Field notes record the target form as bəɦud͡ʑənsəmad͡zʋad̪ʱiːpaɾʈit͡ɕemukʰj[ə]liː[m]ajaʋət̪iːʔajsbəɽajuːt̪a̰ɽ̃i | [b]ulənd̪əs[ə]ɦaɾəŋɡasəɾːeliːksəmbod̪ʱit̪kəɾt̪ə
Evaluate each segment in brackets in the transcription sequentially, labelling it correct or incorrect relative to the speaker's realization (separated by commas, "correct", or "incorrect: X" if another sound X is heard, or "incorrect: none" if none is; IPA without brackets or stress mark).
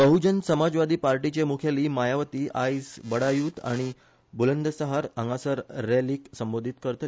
incorrect: a, correct, correct, correct